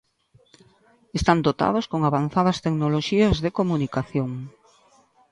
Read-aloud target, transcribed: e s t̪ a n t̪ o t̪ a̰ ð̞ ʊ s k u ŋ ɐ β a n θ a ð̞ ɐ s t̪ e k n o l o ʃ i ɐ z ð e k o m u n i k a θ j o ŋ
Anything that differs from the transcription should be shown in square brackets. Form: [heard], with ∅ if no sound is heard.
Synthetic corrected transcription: e s t̪ a n [d̪] o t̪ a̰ ð̞ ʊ s k [o] ŋ [a] β a n θ a ð̞ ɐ s t̪ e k n o l o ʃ i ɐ z ð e k o m u n i k a θ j o ŋ